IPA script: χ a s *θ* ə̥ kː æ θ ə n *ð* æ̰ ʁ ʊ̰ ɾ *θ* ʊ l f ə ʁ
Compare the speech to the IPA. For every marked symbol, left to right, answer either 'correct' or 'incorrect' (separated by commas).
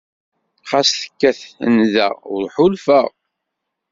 correct, correct, incorrect